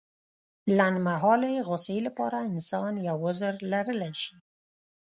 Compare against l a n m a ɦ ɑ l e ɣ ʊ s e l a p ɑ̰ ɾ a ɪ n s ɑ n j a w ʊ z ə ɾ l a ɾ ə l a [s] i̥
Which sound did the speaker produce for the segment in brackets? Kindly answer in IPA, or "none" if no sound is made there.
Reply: ʃ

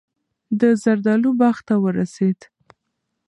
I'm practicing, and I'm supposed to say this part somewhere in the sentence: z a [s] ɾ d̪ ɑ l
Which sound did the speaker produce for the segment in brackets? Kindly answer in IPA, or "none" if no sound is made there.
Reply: none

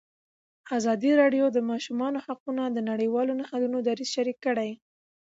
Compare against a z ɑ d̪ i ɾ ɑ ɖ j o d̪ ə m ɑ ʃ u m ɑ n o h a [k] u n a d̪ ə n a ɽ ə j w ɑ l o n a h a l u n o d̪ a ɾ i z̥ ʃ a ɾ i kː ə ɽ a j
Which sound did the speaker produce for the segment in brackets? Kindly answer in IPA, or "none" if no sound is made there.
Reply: q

